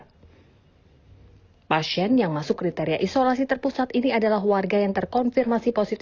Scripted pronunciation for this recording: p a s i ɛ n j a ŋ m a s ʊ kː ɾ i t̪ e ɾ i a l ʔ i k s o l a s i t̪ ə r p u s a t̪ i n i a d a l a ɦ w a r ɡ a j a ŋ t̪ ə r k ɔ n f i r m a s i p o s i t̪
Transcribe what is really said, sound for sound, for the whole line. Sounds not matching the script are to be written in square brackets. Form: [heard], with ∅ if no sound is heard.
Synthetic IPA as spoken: p a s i ɛ n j a ŋ m a s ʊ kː ɾ i t̪ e ɾ i a [∅] ʔ i [∅] s o l a s i t̪ ə r p u s a t̪ i n i a d a l a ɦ w a r ɡ a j a ŋ t̪ ə r k ɔ n f i r m a s i p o s i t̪